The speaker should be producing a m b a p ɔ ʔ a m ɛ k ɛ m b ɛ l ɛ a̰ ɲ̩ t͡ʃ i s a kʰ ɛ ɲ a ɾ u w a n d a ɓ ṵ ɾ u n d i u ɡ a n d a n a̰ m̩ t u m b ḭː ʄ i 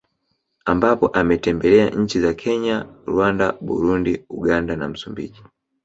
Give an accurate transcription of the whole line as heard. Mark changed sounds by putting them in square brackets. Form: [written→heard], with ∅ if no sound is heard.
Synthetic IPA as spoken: a m b a p ɔ ʔ a m ɛ [k→t] ɛ m b ɛ l ɛ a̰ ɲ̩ t͡ʃ i [s→z] a kʰ ɛ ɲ a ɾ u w a n d a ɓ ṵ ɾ u n d i u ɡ a n d a n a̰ m̩ [t→s] u m b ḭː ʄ i